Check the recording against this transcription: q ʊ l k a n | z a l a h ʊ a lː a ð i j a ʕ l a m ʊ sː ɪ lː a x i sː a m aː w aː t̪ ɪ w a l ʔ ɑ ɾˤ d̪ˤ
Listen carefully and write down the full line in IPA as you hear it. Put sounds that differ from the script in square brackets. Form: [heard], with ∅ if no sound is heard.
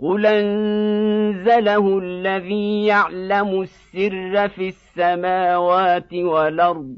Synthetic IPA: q ʊ l [ʔ] a n | z a l a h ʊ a lː a ð [iː] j a ʕ l a m ʊ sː ɪ [rː] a [f] i sː a m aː w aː t̪ ɪ w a l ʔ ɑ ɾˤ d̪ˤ